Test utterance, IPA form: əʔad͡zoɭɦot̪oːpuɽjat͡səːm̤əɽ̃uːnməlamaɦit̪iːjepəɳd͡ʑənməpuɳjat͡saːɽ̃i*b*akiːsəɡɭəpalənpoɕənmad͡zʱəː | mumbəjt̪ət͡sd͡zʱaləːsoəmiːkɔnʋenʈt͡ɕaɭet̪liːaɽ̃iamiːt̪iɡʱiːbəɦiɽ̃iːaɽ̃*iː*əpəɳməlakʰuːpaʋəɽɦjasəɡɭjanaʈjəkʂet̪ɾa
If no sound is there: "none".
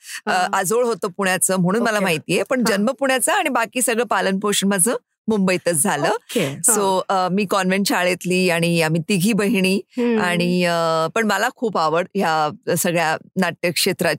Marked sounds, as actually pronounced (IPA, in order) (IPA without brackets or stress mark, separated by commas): b, i